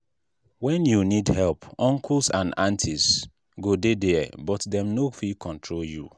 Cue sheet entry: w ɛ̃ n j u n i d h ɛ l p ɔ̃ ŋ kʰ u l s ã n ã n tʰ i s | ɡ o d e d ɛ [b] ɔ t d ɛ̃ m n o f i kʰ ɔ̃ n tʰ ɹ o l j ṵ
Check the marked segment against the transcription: correct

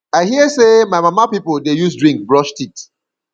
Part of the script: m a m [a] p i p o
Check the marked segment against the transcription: correct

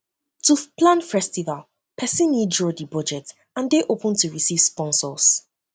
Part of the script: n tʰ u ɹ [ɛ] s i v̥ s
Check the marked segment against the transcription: incorrect: i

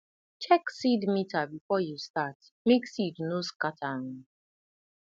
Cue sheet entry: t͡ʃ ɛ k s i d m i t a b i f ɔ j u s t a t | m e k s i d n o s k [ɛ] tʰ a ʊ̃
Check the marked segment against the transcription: incorrect: a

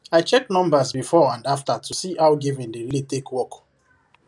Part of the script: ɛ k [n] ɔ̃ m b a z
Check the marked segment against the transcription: correct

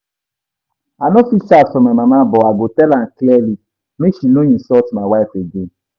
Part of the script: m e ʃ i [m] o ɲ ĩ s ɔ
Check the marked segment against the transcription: incorrect: n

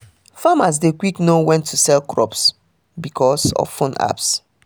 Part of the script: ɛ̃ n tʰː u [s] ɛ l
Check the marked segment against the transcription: correct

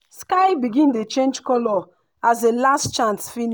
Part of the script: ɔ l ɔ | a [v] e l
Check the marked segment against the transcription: incorrect: z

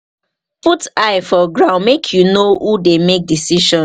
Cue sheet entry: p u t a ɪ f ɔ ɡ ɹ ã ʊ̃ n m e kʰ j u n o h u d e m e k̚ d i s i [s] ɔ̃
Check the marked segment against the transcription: incorrect: ʃ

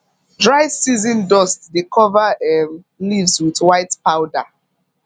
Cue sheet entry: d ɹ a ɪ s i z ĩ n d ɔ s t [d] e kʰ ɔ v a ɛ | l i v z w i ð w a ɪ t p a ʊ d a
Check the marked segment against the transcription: correct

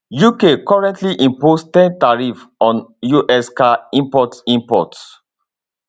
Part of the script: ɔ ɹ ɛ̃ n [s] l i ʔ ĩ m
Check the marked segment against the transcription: incorrect: t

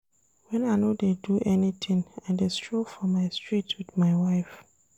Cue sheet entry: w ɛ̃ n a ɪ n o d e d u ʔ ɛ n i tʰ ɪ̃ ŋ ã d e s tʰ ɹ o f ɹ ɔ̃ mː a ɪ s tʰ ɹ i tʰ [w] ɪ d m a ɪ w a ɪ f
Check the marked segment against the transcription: correct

